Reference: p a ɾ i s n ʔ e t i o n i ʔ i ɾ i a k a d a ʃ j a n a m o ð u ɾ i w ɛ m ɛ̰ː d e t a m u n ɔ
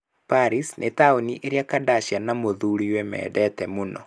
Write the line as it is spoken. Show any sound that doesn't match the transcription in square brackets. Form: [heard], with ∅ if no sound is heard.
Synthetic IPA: p a ɾ i s n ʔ e t [a] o n i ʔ [e] ɾ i a k a d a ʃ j a n a m o ð u ɾ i w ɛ m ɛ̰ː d [ɛ] t [ɛ] m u n ɔ

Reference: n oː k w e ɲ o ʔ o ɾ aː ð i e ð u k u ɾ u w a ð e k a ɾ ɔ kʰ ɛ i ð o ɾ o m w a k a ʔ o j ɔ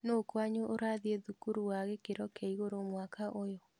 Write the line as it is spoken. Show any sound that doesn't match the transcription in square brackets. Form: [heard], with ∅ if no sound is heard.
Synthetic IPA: n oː k w [a] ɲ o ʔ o ɾ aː ð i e ð u k u ɾ u w a [ɣ] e k [e] ɾ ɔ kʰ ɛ i [ɣ] o ɾ o m w a k a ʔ o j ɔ

